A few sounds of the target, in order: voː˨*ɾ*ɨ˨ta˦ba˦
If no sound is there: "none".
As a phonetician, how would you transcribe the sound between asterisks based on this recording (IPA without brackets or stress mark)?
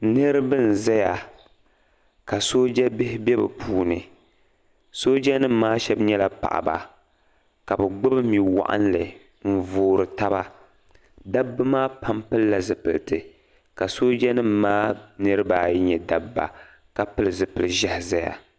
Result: ɾ